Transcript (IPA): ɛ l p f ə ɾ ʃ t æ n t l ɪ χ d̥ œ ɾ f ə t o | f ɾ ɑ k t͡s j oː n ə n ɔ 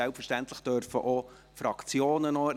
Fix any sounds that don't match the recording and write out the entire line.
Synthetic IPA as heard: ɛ l p f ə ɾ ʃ t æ n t l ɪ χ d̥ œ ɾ f ə ʔ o | f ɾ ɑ k t͡s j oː n ə n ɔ